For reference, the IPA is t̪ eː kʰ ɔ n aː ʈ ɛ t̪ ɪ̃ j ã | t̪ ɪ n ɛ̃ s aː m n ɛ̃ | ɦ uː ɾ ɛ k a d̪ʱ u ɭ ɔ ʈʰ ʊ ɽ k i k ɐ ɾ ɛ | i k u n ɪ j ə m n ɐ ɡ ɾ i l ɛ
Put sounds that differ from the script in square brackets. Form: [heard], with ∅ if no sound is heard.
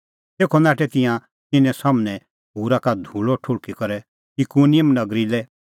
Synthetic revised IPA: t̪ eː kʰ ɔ n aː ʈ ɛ t̪ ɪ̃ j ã | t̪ ɪ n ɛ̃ s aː m n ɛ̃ | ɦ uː ɾ [a] k a d̪ʱ u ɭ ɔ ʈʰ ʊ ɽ k i k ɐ ɾ ɛ | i k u n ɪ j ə m n ɐ ɡ ɾ i l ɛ